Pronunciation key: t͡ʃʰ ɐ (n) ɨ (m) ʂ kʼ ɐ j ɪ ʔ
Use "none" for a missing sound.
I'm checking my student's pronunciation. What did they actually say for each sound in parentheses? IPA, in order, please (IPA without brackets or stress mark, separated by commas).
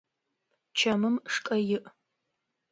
m, m